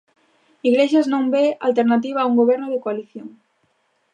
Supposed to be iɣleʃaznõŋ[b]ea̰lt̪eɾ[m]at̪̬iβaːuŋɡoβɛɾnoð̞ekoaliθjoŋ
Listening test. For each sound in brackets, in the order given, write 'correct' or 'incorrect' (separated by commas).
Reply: correct, incorrect